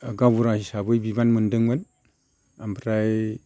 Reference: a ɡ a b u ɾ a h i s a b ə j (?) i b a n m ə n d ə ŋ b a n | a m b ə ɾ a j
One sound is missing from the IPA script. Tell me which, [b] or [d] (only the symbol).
b